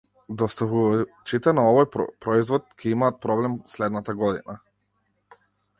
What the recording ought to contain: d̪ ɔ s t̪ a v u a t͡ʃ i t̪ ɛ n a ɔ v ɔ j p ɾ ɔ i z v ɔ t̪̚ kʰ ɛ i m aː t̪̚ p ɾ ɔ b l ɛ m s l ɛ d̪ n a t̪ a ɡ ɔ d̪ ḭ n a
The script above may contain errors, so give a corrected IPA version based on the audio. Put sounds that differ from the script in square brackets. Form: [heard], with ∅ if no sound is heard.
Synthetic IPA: d̪ ɔ s t̪ a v u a t͡ʃ i t̪ ɛ n a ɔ v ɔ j p ɾ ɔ i z v ɔ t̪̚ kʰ ɛ i m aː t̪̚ p ɾ ɔ b l ɛ m s l ɛ d̪ n a t̪ a ɡ ɔ d̪ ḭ n a